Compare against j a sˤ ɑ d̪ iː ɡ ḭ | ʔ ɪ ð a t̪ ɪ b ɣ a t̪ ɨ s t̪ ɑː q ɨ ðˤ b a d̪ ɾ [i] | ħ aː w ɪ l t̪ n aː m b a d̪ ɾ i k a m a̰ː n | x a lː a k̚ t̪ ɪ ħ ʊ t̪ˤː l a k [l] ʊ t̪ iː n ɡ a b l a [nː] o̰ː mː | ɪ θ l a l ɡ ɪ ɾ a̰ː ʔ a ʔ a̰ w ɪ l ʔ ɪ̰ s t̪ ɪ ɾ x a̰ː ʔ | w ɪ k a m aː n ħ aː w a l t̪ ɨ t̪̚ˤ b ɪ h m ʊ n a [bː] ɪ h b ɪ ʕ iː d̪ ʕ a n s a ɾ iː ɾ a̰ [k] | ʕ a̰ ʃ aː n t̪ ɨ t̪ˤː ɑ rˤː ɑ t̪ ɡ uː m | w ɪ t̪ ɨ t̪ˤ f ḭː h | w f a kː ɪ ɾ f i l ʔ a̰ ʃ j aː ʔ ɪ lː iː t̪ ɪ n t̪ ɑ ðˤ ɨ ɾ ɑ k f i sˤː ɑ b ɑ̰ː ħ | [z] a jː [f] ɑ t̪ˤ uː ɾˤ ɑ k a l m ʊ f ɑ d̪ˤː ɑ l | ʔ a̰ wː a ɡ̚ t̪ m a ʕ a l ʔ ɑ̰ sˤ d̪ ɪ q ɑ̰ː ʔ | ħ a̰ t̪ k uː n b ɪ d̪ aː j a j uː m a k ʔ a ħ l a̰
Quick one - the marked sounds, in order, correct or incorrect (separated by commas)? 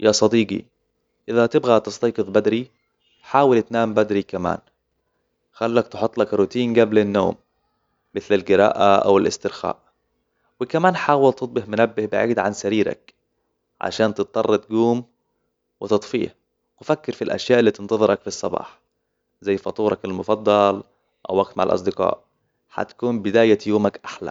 correct, incorrect, correct, correct, correct, correct, correct